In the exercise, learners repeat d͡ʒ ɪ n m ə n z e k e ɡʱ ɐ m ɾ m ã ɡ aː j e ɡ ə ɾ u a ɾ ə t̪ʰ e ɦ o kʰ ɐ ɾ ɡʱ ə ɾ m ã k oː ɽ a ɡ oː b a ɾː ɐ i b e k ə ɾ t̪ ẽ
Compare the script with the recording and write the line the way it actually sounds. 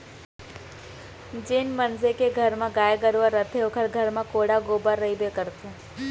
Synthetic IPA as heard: d͡ʒ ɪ n m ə n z e k e ɡʱ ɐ ɾ m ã ɡ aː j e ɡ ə ɾ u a ɾ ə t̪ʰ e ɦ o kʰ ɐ ɾ ɡʱ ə ɾ m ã k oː ɽ a ɡ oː b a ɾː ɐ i b e k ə ɾ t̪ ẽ